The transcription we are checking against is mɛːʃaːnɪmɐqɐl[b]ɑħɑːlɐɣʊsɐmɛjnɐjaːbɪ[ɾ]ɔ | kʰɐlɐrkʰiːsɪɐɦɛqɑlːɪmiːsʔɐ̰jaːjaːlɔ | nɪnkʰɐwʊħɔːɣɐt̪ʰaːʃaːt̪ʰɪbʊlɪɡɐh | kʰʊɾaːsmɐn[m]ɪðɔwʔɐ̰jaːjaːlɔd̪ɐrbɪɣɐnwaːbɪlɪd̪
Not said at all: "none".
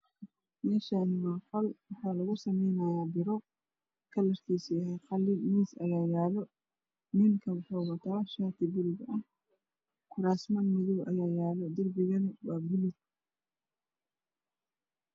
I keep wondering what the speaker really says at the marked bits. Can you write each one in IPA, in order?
w, ɾ, m

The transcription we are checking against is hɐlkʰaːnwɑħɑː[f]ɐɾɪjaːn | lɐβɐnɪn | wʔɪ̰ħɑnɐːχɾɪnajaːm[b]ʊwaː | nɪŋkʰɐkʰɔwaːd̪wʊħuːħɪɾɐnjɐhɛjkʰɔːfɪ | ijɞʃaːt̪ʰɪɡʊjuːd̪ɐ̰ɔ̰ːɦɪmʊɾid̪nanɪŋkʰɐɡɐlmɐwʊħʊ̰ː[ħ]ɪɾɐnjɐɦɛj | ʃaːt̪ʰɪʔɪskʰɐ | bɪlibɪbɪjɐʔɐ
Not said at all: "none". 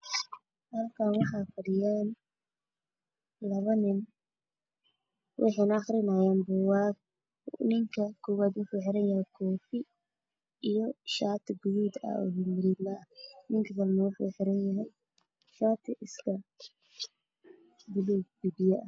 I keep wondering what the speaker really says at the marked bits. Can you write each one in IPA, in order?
f, b, ħ

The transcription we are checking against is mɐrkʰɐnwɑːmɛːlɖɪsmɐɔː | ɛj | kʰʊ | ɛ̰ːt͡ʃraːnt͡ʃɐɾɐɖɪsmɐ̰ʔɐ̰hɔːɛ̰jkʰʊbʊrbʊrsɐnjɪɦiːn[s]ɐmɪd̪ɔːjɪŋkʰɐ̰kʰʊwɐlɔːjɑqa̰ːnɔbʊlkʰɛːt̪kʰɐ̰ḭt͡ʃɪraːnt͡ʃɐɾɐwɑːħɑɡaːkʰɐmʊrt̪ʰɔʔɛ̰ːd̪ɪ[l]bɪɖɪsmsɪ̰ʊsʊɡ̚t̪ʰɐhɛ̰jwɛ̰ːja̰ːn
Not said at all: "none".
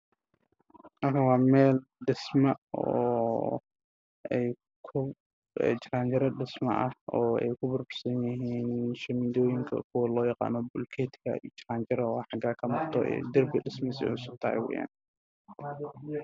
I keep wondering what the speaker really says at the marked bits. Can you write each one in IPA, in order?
ʃ, r

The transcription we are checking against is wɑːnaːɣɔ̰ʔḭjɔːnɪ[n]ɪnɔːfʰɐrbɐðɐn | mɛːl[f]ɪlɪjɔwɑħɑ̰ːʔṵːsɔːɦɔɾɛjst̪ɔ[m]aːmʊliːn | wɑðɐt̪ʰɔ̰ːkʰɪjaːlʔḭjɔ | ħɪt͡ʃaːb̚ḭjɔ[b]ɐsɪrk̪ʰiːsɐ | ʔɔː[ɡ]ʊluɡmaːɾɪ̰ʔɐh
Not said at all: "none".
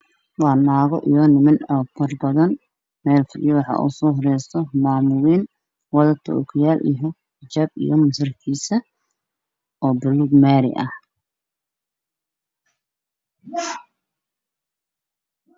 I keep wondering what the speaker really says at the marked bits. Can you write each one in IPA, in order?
m, f, m, m, b

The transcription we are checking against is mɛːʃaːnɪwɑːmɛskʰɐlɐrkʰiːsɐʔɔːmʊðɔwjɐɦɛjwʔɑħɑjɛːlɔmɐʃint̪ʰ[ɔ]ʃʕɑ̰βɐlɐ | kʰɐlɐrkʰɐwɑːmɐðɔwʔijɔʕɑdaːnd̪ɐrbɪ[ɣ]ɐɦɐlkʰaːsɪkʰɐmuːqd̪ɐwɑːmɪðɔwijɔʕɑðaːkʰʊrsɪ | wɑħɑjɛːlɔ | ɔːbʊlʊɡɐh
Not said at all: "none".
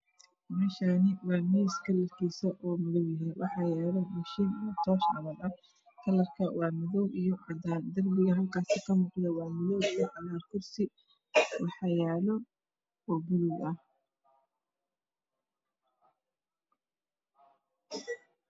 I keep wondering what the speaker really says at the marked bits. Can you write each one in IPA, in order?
ɔː, ɣ

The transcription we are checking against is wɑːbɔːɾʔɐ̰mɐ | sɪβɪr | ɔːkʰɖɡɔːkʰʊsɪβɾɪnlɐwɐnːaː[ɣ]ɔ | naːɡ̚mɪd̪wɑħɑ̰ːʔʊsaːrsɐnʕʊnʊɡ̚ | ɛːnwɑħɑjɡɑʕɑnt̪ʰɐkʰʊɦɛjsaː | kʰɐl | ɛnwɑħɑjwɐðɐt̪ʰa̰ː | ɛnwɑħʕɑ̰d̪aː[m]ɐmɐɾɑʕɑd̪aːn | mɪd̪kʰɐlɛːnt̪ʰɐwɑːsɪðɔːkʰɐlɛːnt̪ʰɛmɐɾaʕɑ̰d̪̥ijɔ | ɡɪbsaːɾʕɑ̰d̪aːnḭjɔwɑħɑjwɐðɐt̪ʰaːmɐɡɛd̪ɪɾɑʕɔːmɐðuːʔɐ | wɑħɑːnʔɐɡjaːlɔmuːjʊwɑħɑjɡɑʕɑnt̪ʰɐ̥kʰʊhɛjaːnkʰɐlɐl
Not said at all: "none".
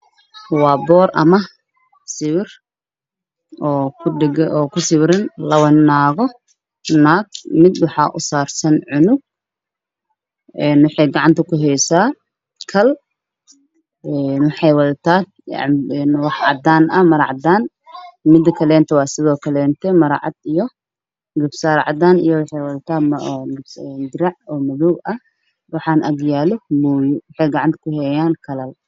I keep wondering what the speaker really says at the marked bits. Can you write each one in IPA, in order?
ɣ, n

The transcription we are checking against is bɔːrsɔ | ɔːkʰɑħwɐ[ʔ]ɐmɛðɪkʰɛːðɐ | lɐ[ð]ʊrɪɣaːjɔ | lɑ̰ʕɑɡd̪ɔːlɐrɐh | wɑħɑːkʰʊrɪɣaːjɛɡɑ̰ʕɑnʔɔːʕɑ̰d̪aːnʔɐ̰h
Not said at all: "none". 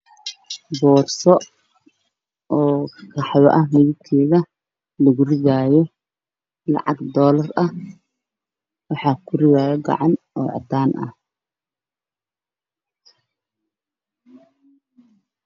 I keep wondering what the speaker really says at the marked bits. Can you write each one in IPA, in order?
ʔ, ɣ

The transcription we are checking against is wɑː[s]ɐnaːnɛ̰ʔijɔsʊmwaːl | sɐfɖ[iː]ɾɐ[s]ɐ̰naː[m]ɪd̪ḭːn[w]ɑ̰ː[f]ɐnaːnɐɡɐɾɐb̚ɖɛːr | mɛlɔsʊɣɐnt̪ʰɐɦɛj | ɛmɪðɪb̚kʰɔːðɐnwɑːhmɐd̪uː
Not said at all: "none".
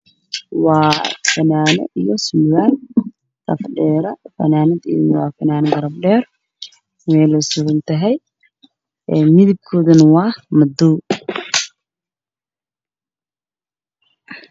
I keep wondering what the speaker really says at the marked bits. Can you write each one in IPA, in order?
f, ɛː, f, n, w, f

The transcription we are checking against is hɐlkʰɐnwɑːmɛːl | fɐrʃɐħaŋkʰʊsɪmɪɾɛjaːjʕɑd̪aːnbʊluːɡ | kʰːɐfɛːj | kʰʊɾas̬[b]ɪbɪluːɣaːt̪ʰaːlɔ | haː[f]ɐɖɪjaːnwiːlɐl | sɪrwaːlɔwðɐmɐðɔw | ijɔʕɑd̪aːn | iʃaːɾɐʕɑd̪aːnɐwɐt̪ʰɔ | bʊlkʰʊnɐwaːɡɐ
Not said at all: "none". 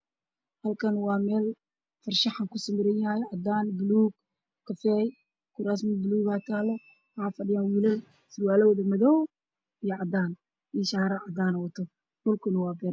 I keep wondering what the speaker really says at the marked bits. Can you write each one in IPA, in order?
m, f

